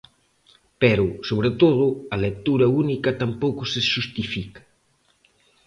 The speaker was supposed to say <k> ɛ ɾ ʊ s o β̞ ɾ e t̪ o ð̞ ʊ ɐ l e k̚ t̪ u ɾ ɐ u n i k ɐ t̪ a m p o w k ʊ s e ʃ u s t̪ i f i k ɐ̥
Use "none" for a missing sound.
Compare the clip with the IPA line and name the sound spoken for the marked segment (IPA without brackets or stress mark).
p